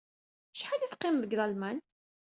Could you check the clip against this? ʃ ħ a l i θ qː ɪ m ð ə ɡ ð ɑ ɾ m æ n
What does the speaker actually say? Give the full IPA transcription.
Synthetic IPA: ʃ ħ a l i θ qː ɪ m ð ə ɡ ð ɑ l m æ n